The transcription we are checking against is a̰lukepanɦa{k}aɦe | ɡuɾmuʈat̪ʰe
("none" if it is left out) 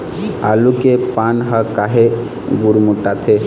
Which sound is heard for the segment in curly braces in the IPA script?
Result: k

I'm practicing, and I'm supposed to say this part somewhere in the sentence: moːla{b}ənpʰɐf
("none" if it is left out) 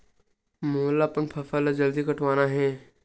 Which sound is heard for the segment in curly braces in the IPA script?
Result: p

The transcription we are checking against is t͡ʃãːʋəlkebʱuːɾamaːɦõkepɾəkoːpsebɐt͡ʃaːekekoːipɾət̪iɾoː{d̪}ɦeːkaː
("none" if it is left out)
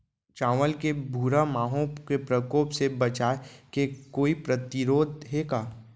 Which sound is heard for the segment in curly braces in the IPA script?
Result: d̪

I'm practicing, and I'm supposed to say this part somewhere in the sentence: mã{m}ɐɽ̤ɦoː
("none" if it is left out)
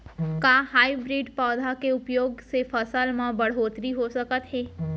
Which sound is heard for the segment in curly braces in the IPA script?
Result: b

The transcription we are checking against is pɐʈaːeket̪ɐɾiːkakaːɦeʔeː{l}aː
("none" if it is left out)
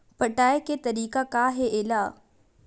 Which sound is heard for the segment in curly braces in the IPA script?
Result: l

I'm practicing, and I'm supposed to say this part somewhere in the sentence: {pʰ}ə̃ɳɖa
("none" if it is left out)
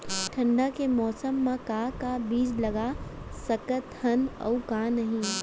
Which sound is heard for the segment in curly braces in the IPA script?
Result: ʈʰ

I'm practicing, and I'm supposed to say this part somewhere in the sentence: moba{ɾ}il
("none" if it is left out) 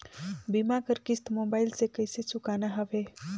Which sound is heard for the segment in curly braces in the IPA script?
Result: none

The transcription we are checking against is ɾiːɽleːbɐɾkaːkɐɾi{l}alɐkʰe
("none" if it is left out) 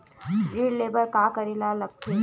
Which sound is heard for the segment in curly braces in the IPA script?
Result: l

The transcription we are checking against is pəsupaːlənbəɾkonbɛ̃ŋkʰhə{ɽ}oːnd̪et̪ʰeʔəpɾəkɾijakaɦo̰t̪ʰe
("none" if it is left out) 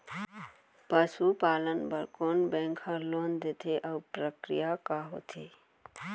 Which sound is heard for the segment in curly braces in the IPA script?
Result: l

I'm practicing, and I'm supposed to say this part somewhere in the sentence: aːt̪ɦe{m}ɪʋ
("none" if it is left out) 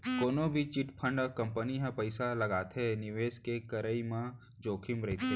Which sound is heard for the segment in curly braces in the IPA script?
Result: n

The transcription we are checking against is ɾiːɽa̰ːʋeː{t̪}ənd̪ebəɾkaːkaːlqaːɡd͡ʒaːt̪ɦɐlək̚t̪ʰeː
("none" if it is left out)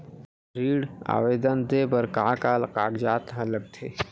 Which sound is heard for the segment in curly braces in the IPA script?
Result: d̪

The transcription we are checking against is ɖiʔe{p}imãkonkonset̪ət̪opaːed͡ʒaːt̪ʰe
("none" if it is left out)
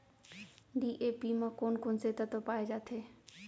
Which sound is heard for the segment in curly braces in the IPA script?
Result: p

